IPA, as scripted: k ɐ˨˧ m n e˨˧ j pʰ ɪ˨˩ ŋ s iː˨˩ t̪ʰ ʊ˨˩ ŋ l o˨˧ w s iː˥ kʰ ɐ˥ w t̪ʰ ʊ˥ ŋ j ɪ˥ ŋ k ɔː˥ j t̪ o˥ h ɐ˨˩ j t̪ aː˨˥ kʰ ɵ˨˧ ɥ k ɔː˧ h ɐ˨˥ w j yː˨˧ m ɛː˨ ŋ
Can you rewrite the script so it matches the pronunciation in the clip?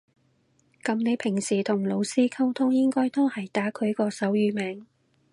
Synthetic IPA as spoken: k ɐ˨˧ m n e˨˧ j pʰ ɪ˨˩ ŋ s iː˨˩ t̪ʰ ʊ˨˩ ŋ l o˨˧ w s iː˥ kʰ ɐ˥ w t̪ʰ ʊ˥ ŋ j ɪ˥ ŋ k ɔː˥ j t̪ o˥ h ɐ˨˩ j t̪ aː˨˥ kʰ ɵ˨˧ ɥ k ɔː˧ s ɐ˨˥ w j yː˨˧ m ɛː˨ ŋ